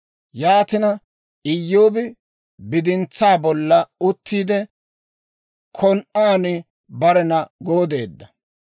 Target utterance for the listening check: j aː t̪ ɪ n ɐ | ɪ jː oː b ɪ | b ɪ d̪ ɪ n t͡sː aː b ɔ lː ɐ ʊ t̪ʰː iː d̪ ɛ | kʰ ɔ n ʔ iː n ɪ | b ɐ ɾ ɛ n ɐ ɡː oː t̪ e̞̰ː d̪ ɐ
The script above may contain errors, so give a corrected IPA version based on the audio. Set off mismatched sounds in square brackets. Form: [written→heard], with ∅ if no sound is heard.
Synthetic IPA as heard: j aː t̪ ɪ n ɐ | ɪ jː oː b ɪ | b ɪ d̪ ɪ n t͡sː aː b ɔ lː ɐ ʊ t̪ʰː iː d̪ ɛ | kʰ ɔ n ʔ [iː→aː] n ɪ | b ɐ ɾ ɛ n ɐ [ɡː→ɡ] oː [t̪→d̪] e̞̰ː [d̪→d̪ː] ɐ